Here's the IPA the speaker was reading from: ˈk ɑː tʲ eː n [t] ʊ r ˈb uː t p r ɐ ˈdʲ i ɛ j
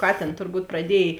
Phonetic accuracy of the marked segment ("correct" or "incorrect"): correct